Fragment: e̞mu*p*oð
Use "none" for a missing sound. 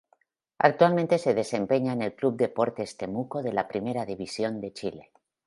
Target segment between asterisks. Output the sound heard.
k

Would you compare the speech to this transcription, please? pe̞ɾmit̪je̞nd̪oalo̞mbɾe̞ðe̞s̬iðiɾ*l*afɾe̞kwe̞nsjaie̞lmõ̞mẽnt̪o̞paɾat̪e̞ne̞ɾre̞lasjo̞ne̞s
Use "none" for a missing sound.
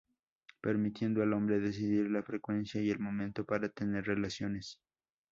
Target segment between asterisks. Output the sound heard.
l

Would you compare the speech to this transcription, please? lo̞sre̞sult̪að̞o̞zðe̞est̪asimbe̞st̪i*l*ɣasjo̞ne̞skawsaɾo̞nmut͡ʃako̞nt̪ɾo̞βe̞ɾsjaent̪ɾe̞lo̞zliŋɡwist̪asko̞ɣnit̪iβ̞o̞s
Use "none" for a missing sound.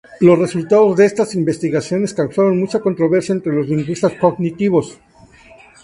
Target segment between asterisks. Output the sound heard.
none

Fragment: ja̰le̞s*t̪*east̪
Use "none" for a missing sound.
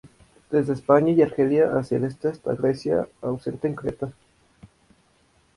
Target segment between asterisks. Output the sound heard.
t̪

